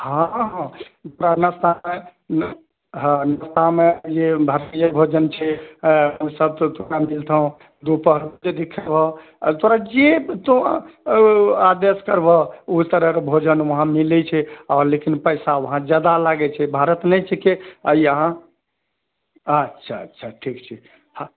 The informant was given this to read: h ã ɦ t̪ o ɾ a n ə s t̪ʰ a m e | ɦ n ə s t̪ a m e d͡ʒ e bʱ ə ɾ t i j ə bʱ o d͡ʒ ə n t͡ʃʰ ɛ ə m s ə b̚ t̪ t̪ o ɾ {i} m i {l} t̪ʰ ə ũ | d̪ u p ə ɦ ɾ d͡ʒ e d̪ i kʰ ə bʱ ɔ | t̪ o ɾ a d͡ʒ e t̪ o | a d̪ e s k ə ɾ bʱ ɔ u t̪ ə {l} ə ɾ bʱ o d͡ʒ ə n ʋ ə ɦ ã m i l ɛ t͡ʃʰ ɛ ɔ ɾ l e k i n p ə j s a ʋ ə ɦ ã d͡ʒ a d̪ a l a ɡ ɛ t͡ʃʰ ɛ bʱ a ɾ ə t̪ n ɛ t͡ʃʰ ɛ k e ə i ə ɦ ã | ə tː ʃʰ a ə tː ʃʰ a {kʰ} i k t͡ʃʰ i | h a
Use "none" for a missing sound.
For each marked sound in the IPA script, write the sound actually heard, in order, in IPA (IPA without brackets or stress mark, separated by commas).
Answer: a, l, ɾ, ʈʰ